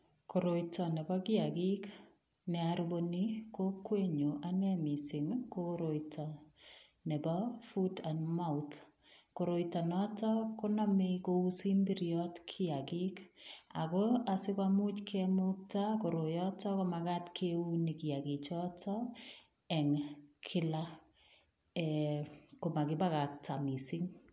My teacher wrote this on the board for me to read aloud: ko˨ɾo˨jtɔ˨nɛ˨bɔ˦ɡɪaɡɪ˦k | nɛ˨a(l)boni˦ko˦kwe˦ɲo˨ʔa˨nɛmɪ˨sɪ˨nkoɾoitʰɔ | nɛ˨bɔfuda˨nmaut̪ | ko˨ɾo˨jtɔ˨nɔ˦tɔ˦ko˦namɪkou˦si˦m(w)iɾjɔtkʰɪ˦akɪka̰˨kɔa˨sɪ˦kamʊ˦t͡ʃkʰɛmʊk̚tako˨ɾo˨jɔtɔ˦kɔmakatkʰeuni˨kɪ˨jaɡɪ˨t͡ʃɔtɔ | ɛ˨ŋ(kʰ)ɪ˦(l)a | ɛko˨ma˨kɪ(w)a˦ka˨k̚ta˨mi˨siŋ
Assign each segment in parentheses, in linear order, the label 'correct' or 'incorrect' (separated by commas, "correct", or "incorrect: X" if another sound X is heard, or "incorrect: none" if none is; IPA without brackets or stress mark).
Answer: incorrect: ɾ, incorrect: b, correct, correct, incorrect: b